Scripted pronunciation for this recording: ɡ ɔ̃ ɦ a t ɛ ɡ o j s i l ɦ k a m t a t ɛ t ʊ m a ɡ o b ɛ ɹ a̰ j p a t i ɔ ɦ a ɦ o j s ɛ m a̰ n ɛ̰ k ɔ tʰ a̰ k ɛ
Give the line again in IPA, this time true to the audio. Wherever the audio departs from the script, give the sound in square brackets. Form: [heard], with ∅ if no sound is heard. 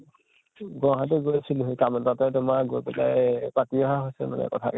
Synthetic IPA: ɡ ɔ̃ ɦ a t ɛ ɡ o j s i l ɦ k a m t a t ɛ t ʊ m a ɡ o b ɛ [l] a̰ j p a t i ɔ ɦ a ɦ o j s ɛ m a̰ n ɛ̰ k ɔ tʰ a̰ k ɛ